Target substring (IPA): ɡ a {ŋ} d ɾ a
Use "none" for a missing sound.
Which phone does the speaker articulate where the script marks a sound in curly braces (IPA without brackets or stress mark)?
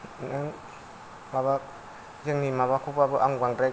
ŋ